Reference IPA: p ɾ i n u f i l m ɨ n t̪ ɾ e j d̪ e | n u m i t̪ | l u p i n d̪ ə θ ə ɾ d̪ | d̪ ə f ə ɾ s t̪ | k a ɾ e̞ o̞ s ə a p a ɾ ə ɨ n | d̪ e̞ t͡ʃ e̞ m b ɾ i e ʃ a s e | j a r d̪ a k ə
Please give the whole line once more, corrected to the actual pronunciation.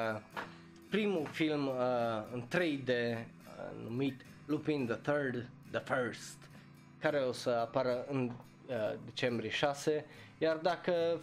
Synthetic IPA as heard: p ɾ i m u f i l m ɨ n t̪ ɾ e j d̪ e | n u m i t̪ | l u p i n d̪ ə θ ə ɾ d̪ | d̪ ə f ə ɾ s t̪ | k a ɾ e̞ o̞ s ə a p a ɾ ə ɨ n | d̪ e̞ t͡ʃ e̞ m b ɾ i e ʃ a s e | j a r d̪ a k ə